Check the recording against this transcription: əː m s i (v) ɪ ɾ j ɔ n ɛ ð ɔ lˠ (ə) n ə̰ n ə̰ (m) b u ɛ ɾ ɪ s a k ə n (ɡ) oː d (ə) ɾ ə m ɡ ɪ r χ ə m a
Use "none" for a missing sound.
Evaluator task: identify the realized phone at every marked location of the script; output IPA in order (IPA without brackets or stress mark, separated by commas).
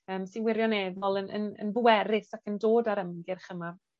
w, ə, n, d, a